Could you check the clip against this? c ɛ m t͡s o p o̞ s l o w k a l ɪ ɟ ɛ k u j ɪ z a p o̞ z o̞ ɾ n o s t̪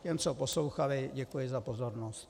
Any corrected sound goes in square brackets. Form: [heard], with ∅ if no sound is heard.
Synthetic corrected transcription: c ɛ m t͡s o p o̞ s l o w [x] a l ɪ ɟ ɛ k u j ɪ z a p o̞ z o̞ ɾ n o s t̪